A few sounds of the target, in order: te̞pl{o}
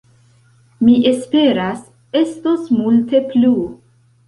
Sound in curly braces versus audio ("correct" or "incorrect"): incorrect